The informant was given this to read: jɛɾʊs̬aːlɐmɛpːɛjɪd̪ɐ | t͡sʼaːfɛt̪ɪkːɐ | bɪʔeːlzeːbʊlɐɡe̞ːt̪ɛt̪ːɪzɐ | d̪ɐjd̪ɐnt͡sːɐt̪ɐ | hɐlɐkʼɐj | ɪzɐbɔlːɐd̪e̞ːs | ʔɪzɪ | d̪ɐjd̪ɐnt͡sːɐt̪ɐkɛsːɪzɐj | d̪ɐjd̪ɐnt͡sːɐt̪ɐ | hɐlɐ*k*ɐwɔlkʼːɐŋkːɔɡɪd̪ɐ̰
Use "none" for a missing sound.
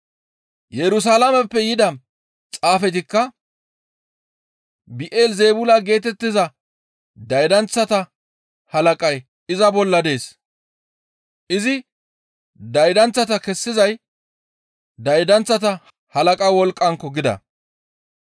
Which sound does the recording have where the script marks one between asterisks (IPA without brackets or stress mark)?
kʼ